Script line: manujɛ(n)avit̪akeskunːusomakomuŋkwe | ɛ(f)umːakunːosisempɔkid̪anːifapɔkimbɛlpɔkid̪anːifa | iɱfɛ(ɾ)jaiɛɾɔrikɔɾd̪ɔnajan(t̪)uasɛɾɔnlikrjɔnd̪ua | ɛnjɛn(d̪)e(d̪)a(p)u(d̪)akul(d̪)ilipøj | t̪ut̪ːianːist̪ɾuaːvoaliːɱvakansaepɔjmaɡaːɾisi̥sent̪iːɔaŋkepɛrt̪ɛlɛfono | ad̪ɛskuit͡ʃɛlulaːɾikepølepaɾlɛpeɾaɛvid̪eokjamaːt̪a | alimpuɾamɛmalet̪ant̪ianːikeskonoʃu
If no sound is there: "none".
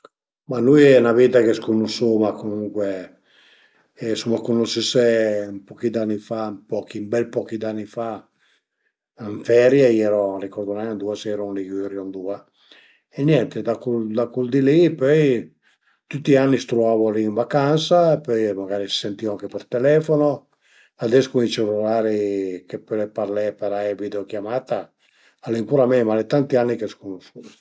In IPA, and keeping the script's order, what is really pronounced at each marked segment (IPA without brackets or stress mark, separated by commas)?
n, s, ɾ, d̪, t̪, d̪, k, d̪, d̪